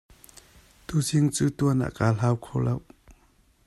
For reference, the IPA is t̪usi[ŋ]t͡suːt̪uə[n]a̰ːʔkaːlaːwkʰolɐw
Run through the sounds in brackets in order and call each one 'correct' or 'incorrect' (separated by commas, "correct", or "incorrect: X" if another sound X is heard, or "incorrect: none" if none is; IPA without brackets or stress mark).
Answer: correct, correct